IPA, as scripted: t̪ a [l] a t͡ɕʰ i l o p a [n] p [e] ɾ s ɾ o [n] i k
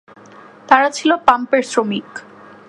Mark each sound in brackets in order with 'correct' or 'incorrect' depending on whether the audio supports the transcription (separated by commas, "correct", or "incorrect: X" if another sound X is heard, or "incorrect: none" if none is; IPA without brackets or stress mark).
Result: incorrect: ɾ, incorrect: m, correct, incorrect: m